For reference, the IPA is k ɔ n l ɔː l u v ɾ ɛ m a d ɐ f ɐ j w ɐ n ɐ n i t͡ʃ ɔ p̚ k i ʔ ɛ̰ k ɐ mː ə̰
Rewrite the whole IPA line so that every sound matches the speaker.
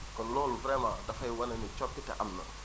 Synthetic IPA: k ɔ n l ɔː l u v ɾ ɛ m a d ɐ f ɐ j w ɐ n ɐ n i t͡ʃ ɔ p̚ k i t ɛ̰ ʔ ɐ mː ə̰